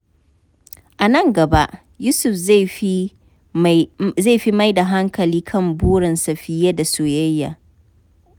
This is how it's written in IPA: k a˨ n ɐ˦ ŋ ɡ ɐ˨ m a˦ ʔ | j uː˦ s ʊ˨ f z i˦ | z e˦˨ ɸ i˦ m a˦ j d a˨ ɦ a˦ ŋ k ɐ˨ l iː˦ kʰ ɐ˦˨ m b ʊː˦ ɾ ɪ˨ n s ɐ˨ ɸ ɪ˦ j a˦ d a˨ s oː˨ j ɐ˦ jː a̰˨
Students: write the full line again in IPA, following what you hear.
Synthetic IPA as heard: ʔ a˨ n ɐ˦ ŋ ɡ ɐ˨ b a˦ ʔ | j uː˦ s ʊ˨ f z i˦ | z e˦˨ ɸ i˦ m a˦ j d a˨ ɦ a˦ ŋ k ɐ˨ l iː˦ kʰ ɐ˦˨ m b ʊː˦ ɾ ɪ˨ n s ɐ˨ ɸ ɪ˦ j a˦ d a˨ s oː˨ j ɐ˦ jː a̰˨